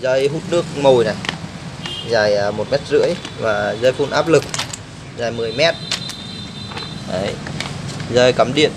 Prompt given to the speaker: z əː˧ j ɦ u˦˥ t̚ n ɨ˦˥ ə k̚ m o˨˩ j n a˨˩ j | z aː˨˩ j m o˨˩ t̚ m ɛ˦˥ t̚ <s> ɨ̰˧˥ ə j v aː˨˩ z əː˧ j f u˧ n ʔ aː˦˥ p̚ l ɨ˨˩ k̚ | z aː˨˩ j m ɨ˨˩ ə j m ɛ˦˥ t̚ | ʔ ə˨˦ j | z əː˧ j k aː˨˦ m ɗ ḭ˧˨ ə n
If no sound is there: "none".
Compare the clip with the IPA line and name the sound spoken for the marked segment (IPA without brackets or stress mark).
z